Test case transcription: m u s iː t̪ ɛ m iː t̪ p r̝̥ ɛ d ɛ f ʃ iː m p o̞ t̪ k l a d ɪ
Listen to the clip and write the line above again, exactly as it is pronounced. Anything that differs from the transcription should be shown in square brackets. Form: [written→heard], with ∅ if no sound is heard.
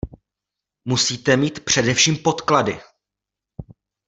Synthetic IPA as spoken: m u s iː t̪ ɛ m iː t̪ p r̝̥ ɛ d ɛ f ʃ iː m p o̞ t̪ k l a d ɪ